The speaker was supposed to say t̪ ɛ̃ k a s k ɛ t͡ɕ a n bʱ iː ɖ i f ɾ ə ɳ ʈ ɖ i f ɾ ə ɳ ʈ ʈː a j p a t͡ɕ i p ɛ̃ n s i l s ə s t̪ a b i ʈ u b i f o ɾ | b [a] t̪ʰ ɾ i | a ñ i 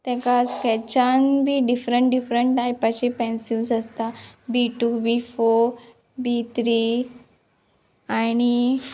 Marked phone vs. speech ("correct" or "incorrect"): incorrect